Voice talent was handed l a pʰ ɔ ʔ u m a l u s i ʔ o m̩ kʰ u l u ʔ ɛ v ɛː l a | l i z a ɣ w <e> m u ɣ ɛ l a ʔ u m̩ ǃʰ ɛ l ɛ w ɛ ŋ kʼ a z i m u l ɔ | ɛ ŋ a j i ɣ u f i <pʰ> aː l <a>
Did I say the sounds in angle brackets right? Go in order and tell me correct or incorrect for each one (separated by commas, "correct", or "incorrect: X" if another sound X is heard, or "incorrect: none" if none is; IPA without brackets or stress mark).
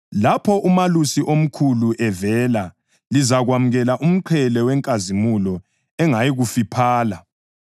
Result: incorrect: a, correct, correct